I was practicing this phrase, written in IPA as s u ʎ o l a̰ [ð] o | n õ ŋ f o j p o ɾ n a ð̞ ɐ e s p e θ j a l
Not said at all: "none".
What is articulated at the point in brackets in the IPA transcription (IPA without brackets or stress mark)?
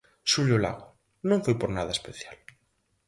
ɣ